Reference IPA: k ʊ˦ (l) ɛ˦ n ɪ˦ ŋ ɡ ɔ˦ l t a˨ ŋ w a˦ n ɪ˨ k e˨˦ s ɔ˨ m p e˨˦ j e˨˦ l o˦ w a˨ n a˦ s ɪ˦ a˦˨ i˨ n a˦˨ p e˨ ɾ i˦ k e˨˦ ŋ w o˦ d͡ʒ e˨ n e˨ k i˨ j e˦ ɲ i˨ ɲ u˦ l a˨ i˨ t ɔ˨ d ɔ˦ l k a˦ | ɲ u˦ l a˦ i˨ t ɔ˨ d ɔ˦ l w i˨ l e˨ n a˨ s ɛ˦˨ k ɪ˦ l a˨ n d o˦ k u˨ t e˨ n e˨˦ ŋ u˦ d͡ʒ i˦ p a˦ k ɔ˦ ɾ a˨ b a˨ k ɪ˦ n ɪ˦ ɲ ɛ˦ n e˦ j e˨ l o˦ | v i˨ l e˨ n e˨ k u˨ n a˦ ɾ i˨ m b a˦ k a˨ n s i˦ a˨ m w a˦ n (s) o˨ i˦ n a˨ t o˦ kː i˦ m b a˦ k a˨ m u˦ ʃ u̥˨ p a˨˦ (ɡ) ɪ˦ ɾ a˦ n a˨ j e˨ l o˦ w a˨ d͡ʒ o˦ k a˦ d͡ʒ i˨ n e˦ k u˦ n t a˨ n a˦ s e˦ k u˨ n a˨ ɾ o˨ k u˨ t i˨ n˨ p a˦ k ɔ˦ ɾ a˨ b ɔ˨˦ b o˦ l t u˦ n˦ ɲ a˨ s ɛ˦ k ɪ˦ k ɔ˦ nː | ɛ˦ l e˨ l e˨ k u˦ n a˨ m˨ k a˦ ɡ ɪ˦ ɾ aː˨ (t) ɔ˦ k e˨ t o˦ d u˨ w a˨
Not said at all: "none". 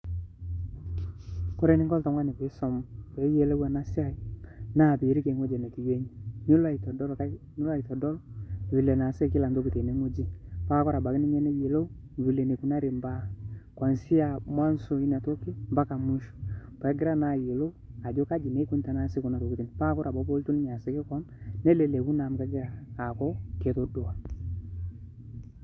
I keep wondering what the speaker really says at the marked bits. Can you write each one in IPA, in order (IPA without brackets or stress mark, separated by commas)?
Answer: ɾ, s, ɡ, k